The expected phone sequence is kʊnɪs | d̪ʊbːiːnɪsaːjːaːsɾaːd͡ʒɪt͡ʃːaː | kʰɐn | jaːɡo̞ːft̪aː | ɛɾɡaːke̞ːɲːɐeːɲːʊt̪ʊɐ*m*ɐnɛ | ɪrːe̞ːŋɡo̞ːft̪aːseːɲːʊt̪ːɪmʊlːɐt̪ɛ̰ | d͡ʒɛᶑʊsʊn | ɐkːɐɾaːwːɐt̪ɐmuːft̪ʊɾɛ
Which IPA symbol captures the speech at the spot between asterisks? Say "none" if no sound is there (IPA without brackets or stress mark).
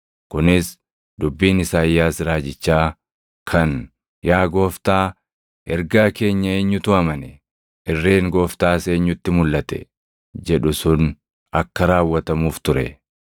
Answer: m